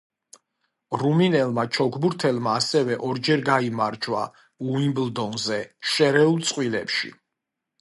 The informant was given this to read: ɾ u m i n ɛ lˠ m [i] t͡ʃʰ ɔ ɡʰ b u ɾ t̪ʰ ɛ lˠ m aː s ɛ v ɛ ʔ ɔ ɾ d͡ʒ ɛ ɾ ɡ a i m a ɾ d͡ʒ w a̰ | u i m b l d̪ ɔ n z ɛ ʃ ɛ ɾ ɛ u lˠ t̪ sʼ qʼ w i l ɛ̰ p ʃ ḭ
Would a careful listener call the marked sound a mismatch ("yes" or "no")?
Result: yes